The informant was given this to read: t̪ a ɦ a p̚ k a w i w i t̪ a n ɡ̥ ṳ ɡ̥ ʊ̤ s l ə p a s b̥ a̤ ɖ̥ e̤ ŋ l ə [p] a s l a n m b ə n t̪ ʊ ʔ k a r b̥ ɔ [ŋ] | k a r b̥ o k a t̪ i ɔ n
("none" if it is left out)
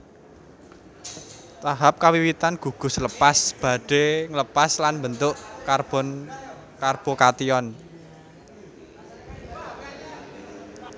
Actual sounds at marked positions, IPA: p, n

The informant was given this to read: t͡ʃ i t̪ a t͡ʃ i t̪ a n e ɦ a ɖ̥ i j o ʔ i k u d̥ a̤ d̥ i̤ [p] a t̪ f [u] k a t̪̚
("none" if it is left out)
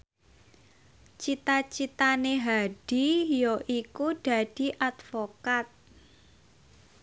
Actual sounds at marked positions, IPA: ʔ, o

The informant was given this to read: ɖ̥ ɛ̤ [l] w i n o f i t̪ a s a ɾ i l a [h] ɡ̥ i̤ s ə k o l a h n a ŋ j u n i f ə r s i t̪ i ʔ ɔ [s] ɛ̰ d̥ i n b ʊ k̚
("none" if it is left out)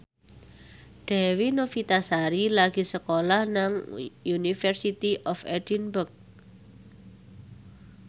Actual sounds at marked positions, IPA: none, none, f

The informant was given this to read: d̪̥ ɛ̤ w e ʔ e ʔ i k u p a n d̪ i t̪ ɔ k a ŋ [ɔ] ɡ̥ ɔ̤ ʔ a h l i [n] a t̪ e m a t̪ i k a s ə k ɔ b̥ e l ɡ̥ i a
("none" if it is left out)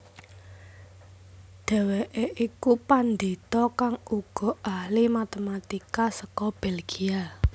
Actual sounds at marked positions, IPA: u, m

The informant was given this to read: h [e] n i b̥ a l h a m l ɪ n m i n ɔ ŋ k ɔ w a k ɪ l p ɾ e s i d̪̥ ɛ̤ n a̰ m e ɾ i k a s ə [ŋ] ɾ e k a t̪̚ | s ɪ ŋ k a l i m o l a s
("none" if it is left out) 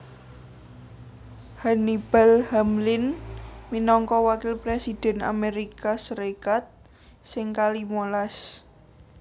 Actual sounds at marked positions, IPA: a, none

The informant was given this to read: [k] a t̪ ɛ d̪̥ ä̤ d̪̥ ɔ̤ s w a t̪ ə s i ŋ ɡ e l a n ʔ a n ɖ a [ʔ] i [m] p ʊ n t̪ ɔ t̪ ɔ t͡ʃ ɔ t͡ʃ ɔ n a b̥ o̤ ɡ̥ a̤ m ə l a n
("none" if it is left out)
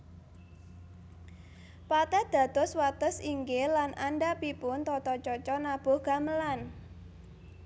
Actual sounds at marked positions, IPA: p, p, none

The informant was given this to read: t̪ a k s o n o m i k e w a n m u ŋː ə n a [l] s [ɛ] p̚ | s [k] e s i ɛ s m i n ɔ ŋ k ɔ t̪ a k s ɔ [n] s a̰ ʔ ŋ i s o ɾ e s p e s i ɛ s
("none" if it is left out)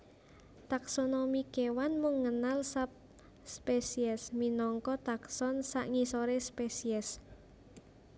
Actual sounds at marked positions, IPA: l, a, p, n

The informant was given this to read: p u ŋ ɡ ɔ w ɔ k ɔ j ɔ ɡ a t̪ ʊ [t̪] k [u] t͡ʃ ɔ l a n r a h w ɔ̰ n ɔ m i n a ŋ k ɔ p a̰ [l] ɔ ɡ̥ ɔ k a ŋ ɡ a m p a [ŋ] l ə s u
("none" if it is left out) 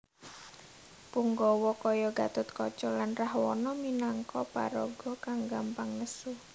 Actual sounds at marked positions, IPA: t̪, ɔ, ɾ, ŋ

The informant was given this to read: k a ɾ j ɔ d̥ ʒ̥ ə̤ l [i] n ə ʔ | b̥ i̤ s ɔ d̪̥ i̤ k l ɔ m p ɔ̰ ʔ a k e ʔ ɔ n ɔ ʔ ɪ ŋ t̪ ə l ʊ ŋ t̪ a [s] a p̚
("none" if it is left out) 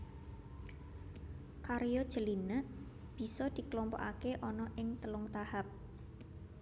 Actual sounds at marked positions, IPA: i, h

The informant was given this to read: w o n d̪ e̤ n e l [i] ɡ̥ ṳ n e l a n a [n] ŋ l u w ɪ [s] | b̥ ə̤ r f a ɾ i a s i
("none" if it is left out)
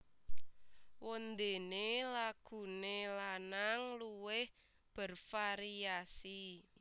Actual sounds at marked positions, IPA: a, none, h

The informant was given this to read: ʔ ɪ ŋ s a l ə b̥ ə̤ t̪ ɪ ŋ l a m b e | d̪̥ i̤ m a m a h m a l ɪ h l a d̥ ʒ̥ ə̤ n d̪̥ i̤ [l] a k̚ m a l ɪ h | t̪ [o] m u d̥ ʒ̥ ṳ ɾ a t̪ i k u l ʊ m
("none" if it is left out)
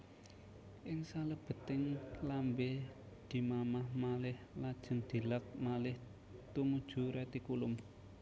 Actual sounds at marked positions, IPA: l, u

